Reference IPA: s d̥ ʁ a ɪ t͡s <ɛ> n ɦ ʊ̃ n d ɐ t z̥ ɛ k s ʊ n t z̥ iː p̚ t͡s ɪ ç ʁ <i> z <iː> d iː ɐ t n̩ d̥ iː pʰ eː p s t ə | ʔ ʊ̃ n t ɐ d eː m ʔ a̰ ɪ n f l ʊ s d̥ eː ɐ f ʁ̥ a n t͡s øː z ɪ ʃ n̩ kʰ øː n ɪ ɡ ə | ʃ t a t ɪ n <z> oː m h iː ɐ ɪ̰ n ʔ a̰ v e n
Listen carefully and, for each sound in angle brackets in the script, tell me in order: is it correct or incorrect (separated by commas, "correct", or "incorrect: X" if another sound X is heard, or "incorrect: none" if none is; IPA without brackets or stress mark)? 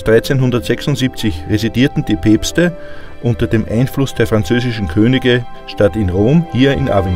incorrect: e, incorrect: e, incorrect: i, incorrect: ʁ